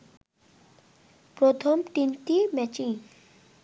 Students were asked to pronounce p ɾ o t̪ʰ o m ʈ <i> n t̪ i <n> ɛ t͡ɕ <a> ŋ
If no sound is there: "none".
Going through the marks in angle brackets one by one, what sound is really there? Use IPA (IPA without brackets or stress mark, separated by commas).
i, m, i